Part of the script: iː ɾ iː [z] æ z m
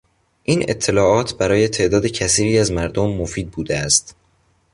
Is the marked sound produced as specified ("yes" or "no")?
no